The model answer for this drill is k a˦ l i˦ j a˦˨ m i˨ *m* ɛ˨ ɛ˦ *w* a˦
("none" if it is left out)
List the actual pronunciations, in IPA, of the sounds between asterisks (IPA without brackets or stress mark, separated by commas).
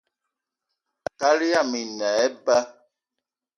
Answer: n, b